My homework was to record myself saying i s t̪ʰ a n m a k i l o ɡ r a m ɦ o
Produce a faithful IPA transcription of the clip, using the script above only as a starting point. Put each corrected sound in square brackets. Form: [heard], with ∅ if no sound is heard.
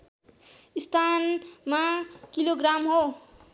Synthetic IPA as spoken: i s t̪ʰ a n m a k i l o ɡ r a m ɦ o